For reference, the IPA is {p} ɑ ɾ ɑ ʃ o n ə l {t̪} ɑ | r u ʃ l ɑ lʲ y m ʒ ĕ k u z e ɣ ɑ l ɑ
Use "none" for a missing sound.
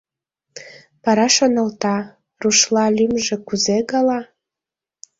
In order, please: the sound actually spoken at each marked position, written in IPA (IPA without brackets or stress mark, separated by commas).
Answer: p, t̪